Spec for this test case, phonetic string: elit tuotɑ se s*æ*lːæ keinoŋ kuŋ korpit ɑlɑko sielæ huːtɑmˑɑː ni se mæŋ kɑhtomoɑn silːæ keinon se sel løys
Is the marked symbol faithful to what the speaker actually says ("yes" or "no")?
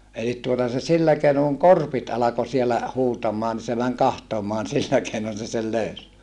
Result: no